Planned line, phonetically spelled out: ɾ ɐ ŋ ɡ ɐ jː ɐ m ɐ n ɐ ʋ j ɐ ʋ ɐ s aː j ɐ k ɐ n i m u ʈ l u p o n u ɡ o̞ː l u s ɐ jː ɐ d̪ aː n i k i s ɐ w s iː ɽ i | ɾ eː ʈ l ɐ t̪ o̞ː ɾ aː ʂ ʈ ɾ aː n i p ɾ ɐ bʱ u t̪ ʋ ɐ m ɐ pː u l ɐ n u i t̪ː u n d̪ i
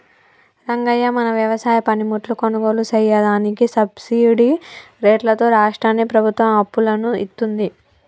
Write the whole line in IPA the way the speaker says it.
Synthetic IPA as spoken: ɾ ɐ ŋ ɡ ɐ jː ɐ m ɐ n ɐ ʋ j ɐ ʋ ɐ s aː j ɐ p ɐ n i m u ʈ l u k o n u ɡ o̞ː l u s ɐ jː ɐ d̪ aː n i k i s ɐ b s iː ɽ i | ɾ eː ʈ l ɐ t̪ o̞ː ɾ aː ʂ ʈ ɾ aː n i p ɾ ɐ bʱ u t̪ ʋ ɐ m ɐ pː u l ɐ n u i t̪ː u n d̪ i

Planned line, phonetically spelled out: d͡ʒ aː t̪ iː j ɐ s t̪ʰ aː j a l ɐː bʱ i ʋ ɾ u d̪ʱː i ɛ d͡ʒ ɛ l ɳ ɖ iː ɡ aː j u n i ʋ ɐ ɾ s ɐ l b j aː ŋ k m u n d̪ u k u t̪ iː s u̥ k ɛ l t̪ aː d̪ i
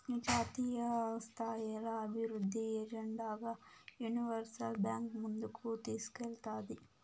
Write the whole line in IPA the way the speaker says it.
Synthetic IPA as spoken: d͡ʒ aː t̪ iː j ɐ s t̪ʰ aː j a l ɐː bʱ i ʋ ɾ u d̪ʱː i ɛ d͡ʒ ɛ ɳ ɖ aː ɡ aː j u n i ʋ ɐ ɾ s ɐ l b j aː ŋ k m u n d̪ u k u t̪ iː s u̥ k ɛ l t̪ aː d̪ i

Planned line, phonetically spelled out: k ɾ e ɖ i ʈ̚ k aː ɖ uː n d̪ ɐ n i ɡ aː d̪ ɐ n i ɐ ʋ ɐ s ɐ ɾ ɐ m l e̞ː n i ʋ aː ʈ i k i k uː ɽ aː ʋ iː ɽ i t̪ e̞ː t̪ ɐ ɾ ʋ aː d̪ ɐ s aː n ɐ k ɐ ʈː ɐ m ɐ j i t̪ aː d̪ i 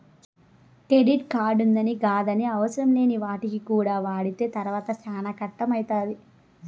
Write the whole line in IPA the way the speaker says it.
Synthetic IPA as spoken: k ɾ e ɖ i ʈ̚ k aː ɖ u n d̪ ɐ n i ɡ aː d̪ ɐ n i ɐ ʋ ɐ s ɐ ɾ ɐ m l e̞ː n i ʋ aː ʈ i k i k uː ɽ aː ʋ aː ɽ i t̪ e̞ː t̪ ɐ ɾ ʋ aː t̪ ɐ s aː n ɐ k ɐ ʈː ɐ m ɐ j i t̪ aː d̪ i

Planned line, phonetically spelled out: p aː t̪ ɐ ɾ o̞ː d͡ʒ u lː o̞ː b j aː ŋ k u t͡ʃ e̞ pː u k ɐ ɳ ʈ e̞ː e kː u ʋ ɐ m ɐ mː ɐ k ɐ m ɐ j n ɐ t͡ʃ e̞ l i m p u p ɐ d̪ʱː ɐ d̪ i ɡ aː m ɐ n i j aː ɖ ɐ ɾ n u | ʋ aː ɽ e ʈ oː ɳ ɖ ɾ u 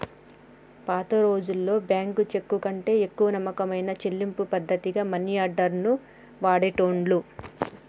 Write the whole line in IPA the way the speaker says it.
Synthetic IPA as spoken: p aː t̪ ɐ ɾ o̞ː d͡ʒ u lː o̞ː b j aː ŋ k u t͡ʃ e̞ kː u k ɐ ɳ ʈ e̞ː e kː u ʋ ɐ n ɐ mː ɐ k ɐ m ɐ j n ɐ t͡ʃ e̞ lː i m p u p ɐ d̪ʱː ɐ t̪ i ɡ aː m ɐ n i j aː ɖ ɐ ɾ n u | ʋ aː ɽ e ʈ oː ɳ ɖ l u

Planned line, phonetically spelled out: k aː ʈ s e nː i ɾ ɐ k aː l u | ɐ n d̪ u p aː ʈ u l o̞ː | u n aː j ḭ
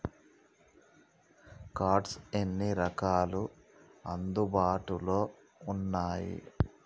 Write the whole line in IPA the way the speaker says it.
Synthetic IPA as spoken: k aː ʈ s e nː i ɾ ɐ k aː l u | ɐ n d̪ u b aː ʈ u l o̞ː | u nː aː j ḭ

